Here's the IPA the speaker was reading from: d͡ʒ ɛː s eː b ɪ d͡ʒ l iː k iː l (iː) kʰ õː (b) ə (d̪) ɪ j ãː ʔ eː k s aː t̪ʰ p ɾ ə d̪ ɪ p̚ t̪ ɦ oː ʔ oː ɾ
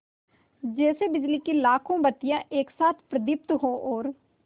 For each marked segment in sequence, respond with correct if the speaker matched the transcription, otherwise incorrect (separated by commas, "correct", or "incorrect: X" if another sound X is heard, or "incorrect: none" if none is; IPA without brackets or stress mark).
incorrect: aː, correct, incorrect: t̪